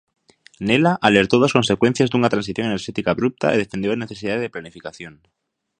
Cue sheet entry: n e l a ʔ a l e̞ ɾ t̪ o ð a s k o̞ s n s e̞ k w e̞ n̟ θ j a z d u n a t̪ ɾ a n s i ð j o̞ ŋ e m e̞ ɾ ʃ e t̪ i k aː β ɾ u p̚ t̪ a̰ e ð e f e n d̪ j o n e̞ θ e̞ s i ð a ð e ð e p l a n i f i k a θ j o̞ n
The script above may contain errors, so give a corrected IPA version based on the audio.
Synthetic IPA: n e l a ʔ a l e̞ ɾ t̪ o ð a s k o̞ n s e̞ k w e̞ n̟ θ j a z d u n a t̪ ɾ a n s i θ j o̞ ŋ e n e̞ ɾ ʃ e t̪ i k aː β ɾ u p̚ t̪ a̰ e ð e f e n d̪ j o n e̞ θ e̞ s i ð a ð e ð e p l a n i f i k a θ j o̞ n